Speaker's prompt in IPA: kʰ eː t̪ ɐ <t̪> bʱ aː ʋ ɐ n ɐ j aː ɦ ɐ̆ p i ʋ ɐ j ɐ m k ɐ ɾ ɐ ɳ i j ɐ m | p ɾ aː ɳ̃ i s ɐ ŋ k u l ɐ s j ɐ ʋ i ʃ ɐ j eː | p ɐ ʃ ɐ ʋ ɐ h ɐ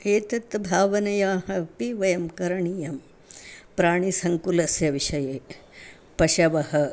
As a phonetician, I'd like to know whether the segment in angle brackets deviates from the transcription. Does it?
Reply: no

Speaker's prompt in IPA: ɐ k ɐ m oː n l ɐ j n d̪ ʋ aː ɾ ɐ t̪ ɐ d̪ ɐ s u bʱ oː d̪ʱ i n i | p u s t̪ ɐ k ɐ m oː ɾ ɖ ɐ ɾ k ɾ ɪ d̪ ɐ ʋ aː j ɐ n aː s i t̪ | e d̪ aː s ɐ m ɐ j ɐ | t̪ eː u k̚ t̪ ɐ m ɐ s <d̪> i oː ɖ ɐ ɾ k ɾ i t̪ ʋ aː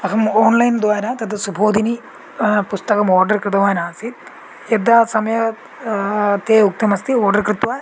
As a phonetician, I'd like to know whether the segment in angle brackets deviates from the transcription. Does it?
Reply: yes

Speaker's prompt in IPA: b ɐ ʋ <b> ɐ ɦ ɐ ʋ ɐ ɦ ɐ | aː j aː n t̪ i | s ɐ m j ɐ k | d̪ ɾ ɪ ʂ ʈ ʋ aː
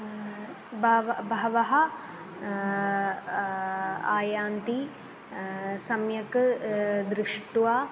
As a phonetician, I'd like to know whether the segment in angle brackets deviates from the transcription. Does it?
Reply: no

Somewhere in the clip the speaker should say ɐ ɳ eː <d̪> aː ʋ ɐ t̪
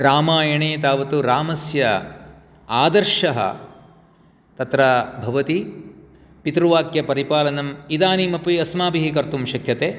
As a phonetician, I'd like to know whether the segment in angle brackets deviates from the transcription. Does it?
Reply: yes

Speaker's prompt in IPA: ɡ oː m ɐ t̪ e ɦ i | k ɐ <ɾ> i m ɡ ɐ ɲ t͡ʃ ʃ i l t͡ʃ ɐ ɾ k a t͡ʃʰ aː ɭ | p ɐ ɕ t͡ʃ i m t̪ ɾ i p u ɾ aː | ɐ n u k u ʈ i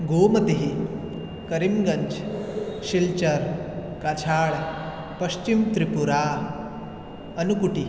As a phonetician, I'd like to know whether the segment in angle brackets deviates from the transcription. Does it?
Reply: no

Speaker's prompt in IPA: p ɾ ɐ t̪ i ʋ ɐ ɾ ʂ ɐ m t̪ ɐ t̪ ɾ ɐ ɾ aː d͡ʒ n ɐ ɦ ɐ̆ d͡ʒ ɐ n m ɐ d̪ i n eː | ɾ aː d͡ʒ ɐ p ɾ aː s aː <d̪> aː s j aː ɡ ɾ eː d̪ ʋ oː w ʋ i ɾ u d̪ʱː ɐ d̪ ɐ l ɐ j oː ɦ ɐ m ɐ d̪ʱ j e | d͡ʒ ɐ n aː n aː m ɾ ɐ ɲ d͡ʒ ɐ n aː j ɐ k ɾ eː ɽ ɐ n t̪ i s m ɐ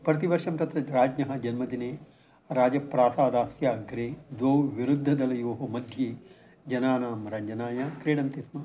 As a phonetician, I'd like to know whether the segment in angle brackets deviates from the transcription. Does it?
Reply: no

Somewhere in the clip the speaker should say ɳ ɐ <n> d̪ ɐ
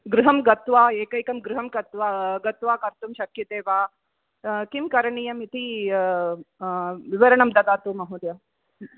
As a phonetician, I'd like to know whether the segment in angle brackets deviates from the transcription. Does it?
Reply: yes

